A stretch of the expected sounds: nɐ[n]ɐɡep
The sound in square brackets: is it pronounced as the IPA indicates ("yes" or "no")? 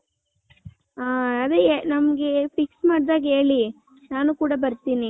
no